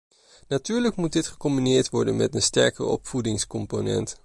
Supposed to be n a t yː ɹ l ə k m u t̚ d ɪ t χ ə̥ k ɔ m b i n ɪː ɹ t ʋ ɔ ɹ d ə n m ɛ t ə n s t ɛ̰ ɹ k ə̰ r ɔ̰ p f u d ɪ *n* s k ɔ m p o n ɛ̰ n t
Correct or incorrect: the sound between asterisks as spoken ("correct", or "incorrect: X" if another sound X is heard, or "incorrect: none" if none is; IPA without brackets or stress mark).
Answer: incorrect: ŋ